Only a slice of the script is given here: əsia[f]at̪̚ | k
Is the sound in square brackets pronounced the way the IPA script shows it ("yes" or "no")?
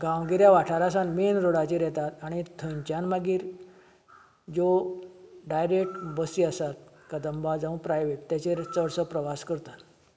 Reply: no